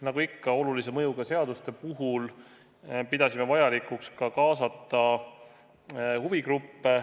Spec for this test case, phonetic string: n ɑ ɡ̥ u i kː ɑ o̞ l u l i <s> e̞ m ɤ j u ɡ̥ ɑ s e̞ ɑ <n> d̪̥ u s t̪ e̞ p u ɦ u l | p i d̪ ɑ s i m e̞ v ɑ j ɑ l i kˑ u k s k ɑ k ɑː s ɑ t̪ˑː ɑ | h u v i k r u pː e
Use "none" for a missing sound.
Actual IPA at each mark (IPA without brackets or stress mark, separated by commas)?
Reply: s, none